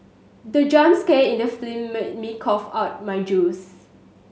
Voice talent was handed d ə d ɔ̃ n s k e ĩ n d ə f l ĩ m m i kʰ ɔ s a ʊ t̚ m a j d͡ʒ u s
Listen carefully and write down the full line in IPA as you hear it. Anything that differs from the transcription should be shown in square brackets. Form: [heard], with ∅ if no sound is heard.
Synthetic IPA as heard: d ə [d͡ʒ] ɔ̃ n s k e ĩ n d ə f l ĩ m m i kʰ ɔ [f] a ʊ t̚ m a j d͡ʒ u s